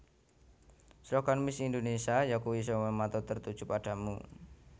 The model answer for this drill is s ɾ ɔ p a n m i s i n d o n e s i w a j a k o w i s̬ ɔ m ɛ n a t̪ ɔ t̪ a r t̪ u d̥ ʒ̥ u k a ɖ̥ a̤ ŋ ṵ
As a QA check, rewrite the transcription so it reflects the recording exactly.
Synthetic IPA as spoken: s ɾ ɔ k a n m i s i n d o n e s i a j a k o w i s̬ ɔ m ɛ m a t̪ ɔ t̪ ə r t̪ u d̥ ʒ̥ u p a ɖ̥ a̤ m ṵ